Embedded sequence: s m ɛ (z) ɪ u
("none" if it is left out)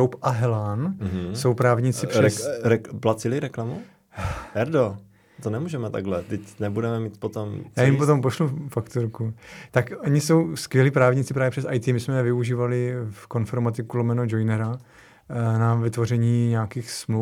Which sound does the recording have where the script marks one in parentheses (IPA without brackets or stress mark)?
v